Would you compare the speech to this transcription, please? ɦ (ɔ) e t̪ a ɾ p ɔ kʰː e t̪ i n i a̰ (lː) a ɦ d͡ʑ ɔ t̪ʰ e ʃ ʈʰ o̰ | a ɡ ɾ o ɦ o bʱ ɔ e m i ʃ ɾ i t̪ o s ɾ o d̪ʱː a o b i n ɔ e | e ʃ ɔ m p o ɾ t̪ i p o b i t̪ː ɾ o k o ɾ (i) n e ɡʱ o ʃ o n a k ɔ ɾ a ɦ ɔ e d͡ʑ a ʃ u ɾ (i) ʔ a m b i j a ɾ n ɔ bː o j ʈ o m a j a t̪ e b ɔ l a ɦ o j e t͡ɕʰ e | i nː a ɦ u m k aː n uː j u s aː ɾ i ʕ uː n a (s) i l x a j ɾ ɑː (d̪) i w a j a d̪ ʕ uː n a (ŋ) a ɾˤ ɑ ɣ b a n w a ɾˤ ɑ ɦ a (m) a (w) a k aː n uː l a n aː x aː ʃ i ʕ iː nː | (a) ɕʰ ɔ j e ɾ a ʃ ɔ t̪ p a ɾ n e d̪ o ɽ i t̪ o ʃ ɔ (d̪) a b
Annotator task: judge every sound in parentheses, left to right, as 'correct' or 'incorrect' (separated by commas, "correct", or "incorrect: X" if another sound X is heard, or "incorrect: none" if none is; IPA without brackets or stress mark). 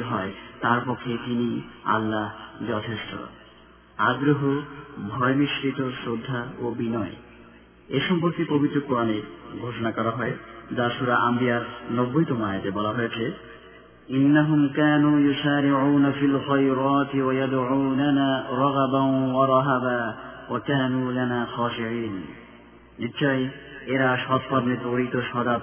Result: correct, correct, incorrect: a, incorrect: a, incorrect: f, incorrect: t̪, incorrect: n, incorrect: b, correct, incorrect: i, correct